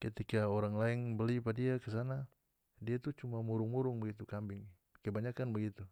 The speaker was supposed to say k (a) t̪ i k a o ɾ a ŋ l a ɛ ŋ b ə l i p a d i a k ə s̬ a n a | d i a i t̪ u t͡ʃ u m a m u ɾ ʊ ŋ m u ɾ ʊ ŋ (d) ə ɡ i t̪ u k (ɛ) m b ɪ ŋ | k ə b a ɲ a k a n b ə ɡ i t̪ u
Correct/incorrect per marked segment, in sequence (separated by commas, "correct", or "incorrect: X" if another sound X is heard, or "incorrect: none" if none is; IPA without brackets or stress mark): incorrect: ə, incorrect: b, incorrect: a